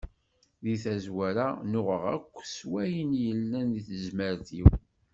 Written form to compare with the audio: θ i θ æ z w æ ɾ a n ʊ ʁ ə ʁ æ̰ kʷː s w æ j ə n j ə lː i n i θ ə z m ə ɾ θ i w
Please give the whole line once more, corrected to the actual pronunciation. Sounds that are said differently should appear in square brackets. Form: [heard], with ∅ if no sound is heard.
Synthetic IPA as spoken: [ð] i θ æ z w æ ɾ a n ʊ ʁ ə ʁ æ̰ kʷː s w æ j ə n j ə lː [æ] n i θ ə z m ə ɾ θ i w